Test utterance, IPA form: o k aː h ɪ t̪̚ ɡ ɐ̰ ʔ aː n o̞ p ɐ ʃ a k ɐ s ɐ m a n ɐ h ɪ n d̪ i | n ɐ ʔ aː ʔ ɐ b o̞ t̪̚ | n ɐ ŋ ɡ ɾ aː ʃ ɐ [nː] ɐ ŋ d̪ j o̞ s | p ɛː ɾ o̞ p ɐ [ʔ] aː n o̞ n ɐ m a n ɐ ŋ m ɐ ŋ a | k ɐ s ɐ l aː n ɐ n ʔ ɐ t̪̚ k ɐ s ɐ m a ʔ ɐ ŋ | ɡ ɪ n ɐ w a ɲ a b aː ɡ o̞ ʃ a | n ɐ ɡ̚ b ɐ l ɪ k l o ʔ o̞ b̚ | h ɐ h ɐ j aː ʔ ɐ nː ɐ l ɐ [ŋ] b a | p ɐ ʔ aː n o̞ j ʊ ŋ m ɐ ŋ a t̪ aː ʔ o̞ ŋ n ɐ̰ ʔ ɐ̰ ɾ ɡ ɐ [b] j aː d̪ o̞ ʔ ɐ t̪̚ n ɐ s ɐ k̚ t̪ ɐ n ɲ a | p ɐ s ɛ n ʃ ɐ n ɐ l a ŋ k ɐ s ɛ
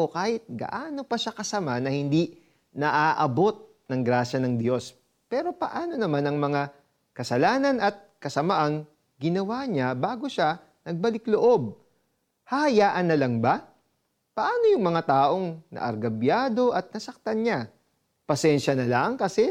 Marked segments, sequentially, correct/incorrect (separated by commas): incorrect, correct, correct, correct